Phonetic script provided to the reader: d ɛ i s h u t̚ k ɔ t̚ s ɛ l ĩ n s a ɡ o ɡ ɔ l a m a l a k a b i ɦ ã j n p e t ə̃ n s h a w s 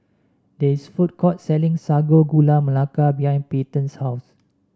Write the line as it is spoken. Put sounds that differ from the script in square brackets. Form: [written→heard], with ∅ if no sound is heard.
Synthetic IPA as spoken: d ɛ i s [h→f] u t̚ k ɔ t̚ s ɛ l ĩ [n→ŋ] s a ɡ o ɡ [ɔ→u] l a m [a→ə] l a k a b i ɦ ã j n p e t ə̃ n s h a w s

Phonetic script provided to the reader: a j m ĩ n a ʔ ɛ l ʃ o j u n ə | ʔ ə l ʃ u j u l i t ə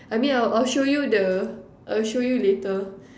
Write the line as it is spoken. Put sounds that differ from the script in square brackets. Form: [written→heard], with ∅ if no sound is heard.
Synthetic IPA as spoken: a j m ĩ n a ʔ [ɛ→a] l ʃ o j u [n→d] ə | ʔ [ə→a] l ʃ [u→o] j u l [i→e] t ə

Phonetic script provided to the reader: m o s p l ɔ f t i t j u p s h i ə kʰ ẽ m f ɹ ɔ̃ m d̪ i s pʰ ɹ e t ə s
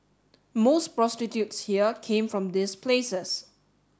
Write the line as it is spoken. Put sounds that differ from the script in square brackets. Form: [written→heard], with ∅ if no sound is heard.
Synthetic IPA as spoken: m o s p [l→ɹ] ɔ [f→s] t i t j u [p→t] s h i ə kʰ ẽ m f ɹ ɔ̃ m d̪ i s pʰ [ɹ→l] e [t→s] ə s

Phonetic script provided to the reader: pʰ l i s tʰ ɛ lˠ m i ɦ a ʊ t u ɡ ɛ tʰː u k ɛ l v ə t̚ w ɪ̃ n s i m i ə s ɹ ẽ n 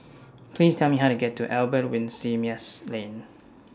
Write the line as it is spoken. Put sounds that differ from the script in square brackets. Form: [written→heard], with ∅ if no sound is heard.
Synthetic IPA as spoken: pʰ l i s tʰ ɛ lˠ m i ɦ a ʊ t u ɡ ɛ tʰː u [k→ʔ] ɛ l [v→b] ə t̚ w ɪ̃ n s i m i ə s [ɹ→l] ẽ n

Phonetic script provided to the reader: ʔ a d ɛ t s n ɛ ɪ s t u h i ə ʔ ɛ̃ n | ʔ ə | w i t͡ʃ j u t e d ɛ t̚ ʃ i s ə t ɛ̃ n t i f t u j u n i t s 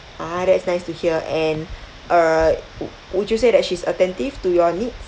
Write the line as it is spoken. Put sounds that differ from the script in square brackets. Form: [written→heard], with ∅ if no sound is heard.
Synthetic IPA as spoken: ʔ a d ɛ t s n [ɛ→a] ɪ s t u h i ə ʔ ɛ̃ n | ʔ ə | w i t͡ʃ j u [t→s] e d ɛ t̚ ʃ i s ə t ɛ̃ n t i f t u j [u→ɔ] n i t s

